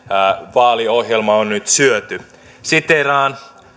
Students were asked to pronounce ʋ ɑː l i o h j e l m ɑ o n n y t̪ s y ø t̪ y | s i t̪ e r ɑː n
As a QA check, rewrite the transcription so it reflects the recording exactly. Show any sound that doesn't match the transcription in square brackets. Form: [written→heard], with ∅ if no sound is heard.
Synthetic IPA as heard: ʋ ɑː l i o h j e l m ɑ o n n y t̪ s y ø t̪ y | s i t̪ e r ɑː n